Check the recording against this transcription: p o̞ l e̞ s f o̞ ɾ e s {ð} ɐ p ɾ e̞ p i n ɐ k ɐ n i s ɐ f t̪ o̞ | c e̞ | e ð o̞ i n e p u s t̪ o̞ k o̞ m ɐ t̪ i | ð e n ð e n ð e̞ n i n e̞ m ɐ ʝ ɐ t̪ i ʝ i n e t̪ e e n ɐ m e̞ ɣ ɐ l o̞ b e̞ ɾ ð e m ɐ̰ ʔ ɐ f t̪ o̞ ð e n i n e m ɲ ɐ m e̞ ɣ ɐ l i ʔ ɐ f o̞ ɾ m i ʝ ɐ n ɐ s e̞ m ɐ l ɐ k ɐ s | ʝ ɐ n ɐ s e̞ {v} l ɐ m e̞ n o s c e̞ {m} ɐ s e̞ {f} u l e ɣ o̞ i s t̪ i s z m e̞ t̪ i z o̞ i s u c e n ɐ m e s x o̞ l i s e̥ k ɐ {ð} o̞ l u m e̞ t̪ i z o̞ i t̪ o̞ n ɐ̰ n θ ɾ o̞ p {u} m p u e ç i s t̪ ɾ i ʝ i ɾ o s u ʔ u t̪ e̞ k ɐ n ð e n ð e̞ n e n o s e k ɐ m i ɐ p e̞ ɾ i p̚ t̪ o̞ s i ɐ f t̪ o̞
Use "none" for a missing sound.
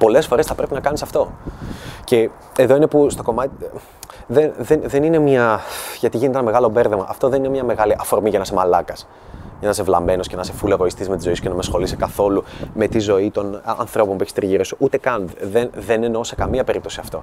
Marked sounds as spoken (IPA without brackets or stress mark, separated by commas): θ, v, n, f, θ, o